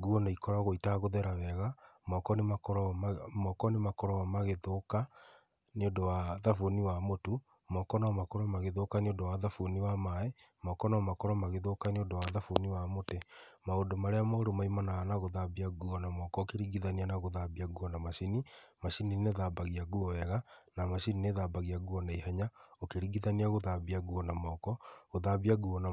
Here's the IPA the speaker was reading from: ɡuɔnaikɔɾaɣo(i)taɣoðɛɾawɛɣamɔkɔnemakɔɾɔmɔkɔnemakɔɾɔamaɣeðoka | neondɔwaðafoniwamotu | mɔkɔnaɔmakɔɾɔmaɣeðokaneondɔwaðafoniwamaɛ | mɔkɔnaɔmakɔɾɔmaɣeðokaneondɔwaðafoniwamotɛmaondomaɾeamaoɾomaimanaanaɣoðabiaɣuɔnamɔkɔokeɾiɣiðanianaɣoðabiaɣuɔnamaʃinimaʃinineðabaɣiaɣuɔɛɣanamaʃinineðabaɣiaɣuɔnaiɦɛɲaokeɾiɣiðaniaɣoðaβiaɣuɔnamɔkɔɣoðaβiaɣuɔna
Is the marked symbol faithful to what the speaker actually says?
yes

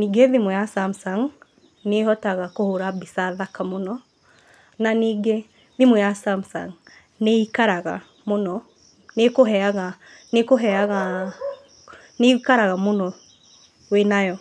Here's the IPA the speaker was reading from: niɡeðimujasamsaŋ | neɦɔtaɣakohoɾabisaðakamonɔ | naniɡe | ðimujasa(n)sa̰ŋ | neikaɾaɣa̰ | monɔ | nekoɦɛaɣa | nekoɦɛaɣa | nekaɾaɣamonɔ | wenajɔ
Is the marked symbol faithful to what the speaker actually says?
no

